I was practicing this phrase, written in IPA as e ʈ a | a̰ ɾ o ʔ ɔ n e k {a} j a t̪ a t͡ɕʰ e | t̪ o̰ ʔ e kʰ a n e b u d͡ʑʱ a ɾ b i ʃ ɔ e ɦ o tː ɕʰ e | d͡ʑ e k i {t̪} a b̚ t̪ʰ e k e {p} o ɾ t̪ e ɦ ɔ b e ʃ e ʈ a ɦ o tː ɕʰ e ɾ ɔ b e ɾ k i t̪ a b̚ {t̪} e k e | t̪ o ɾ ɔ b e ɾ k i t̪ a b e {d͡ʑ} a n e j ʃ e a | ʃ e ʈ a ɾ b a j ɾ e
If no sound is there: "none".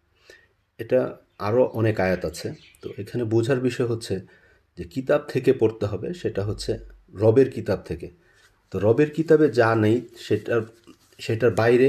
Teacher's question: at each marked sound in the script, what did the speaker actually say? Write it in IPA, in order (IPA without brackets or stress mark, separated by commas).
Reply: a, t̪, p, t̪ʰ, d͡ʑ